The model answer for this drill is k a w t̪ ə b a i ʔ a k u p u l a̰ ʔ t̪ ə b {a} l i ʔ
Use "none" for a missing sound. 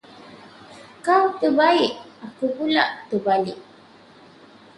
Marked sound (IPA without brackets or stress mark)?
a